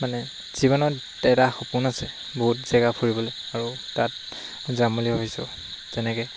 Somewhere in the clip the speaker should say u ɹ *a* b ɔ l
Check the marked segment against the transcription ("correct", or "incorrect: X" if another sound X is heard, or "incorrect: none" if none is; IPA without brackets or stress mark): incorrect: i